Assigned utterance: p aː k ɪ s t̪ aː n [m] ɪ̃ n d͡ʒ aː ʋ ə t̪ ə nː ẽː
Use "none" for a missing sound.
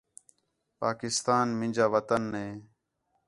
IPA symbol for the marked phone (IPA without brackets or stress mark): m